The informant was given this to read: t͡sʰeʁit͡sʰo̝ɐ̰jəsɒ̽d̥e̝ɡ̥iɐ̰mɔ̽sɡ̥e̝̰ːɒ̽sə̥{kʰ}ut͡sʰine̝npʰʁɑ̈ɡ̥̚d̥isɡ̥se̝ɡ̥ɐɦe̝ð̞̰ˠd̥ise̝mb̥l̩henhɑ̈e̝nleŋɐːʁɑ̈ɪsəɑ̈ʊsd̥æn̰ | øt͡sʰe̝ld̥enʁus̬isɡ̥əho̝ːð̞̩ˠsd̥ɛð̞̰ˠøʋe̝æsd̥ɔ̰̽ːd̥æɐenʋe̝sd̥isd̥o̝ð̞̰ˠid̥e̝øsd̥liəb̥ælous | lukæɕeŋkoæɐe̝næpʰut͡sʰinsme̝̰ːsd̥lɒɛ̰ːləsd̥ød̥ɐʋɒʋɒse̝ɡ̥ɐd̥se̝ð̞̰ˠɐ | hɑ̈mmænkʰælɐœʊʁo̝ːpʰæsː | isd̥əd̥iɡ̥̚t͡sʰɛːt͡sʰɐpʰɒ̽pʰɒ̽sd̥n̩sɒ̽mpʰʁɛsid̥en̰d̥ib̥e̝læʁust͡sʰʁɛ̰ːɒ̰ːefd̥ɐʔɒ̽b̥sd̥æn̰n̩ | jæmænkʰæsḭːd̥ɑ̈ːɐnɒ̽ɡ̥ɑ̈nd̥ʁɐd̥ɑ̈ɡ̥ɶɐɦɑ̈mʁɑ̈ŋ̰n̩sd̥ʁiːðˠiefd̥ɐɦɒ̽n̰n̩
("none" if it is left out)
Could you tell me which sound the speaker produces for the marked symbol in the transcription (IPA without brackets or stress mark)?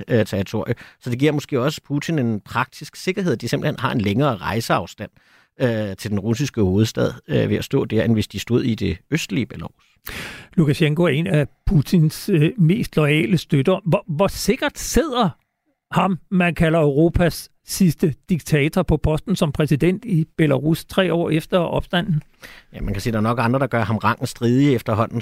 pʰ